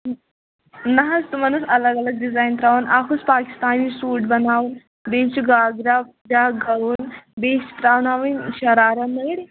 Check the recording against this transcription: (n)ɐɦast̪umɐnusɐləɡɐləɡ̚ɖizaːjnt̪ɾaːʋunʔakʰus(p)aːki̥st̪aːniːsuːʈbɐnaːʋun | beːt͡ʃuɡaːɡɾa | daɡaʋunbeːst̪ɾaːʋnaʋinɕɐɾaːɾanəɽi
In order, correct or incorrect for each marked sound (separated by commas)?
correct, correct